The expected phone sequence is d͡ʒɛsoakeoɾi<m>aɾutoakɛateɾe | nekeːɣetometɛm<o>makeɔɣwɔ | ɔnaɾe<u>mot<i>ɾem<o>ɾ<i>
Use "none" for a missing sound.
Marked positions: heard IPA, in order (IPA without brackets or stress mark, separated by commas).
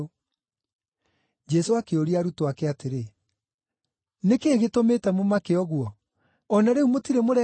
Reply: none, o, u, i, o, ɛ